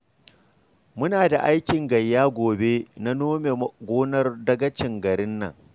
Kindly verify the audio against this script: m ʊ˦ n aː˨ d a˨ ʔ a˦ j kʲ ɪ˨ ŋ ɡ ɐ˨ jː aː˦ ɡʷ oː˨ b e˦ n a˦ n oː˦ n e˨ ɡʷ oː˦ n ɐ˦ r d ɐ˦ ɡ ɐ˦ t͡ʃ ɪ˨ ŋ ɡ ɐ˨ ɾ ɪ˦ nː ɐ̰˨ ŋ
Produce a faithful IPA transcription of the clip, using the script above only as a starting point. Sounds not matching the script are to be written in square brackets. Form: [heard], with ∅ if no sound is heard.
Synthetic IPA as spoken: m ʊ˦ n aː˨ d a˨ ʔ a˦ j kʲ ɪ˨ ŋ ɡ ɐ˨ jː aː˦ ɡʷ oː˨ b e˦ n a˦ n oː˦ [m] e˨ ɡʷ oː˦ n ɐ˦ r d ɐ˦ ɡ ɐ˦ t͡ʃ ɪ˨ ŋ ɡ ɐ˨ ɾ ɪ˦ nː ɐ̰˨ ŋ

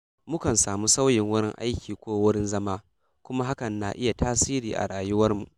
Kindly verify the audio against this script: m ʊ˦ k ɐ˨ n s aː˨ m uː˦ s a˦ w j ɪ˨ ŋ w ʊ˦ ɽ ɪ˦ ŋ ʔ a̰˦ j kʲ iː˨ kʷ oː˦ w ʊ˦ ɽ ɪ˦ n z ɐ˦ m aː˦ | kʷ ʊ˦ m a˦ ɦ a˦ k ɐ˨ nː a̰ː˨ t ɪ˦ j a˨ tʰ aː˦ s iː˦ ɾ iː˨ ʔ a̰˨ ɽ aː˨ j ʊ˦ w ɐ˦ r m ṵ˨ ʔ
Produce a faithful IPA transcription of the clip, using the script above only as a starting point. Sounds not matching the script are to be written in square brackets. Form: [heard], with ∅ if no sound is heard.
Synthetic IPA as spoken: m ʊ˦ k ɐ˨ n s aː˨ m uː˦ s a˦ w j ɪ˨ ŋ w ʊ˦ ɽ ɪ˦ ŋ ʔ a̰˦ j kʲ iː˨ kʷ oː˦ w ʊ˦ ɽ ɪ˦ n z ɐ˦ m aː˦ | kʷ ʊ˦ m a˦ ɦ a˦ k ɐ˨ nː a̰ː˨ [ʔ] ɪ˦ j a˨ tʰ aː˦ s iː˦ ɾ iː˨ ʔ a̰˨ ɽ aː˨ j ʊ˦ w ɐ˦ r m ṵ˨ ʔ

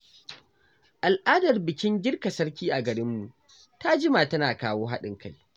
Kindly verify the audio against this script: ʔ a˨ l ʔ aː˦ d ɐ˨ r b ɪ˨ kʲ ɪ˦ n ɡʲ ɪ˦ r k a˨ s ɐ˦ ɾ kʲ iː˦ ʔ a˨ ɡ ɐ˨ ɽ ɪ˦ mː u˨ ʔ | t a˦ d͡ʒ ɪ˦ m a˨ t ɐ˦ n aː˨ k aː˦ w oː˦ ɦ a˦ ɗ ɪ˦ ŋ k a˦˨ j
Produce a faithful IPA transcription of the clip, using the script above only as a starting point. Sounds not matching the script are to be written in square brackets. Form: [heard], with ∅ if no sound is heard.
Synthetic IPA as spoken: ʔ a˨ l ʔ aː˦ d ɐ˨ r b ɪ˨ kʲ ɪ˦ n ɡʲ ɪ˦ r k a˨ s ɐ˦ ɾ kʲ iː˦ ʔ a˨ ɡ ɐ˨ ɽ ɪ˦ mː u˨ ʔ | t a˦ d͡ʒ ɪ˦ m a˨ t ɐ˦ n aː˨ k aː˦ w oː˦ ɦ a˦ ɗ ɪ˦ ŋ k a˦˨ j

